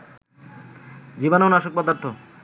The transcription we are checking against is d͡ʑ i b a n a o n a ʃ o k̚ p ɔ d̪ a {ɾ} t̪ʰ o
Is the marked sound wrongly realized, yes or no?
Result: no